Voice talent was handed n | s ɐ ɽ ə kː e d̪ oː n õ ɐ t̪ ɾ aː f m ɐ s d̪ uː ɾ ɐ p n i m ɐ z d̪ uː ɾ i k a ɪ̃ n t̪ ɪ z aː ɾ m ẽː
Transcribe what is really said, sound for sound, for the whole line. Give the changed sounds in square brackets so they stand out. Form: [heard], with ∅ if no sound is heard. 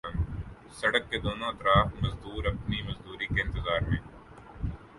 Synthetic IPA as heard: n | s ɐ ɽ ə kː e d̪ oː n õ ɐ t̪ ɾ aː f m ɐ [z] d̪ uː ɾ ɐ p n i m ɐ z d̪ uː ɾ i k [e] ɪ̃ n t̪ ɪ z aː ɾ m ẽː

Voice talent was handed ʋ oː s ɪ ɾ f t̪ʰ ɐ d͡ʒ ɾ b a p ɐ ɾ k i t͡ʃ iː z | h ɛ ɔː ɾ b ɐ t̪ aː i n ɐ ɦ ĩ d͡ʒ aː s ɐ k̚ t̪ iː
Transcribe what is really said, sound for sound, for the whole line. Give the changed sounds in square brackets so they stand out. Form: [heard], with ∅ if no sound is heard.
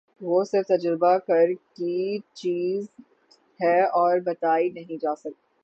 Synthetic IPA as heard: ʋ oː s ɪ ɾ f [t̪] ɐ d͡ʒ ɾ b a [k] ɐ ɾ k i t͡ʃ iː z | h ɛ ɔː ɾ b ɐ t̪ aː i n ɐ ɦ ĩ d͡ʒ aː s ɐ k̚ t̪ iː

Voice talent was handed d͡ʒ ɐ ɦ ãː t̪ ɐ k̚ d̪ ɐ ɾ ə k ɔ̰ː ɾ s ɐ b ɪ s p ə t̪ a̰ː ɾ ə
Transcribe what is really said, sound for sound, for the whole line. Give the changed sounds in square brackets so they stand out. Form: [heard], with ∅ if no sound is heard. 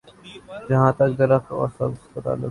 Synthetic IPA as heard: d͡ʒ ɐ ɦ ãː t̪ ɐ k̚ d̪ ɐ ɾ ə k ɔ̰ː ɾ s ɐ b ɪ s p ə t̪ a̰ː [l] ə

